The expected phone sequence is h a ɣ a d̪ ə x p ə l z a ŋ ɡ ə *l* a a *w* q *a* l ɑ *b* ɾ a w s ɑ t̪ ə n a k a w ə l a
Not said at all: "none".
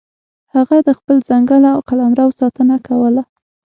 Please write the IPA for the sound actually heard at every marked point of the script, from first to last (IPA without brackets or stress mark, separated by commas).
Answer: l, w, a, m